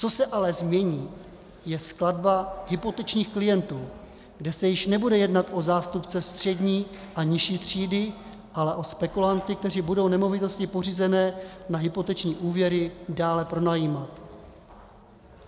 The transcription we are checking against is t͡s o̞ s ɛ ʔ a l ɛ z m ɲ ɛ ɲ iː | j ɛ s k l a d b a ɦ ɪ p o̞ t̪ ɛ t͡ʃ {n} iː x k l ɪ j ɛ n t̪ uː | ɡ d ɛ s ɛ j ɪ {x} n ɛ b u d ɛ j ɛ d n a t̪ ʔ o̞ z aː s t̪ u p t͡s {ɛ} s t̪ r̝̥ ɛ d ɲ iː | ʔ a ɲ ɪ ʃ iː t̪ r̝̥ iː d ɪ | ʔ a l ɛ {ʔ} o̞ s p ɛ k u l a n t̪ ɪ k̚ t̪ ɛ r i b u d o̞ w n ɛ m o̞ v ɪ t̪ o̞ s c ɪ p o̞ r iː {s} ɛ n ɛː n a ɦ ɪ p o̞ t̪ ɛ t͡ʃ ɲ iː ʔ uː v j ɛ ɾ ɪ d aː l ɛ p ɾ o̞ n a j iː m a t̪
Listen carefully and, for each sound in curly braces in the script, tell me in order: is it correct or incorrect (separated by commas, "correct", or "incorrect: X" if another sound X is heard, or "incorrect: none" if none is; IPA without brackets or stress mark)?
incorrect: ɲ, incorrect: ʃ, correct, correct, incorrect: z